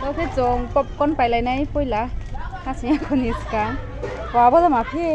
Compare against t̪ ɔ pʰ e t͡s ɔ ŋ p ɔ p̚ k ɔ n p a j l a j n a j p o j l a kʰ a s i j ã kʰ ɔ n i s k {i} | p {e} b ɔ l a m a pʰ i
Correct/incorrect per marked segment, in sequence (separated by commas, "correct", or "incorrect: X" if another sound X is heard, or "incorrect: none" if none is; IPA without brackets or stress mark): incorrect: a, incorrect: a